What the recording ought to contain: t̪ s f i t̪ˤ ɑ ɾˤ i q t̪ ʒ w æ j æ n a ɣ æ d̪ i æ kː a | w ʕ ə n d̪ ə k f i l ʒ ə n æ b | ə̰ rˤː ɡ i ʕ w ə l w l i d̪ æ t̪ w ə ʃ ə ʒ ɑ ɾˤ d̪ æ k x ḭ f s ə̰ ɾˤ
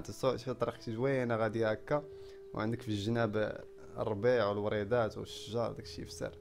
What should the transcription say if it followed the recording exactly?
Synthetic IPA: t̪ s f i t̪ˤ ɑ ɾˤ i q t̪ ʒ w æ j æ n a ɣ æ d̪ i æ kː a | w ʕ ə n d̪ ə k f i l ʒ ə n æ b | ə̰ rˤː b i ʕ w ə l w ɾ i d̪ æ t̪ w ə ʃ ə ʒ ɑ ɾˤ d̪ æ k ʃ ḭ f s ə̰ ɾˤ